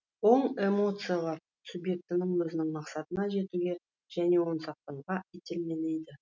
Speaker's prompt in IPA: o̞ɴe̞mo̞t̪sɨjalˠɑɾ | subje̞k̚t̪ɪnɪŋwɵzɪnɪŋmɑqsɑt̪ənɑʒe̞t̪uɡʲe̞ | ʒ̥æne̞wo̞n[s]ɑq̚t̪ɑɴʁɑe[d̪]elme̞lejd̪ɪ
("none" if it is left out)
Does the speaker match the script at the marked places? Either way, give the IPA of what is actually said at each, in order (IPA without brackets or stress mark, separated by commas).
s, t̪